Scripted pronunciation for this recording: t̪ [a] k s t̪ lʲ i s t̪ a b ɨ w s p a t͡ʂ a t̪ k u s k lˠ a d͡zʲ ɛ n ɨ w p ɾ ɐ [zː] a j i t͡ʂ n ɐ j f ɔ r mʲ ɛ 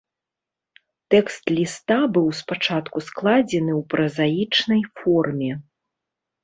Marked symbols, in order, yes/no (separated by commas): no, no